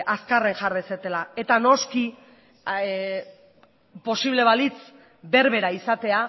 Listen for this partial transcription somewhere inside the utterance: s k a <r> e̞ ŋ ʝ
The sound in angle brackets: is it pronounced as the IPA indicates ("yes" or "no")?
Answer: yes